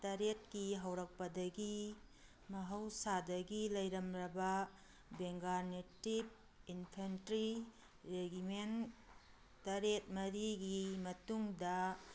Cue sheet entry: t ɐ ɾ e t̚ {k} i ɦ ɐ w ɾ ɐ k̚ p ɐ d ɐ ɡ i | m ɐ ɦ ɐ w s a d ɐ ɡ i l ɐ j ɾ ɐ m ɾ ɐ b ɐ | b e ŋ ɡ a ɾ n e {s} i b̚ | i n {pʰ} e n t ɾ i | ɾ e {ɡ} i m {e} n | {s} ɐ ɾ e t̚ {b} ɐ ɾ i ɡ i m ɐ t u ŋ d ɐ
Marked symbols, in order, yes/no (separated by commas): yes, no, yes, yes, yes, no, no